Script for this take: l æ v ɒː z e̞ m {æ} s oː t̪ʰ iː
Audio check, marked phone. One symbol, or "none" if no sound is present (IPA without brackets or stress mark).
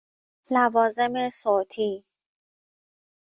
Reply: e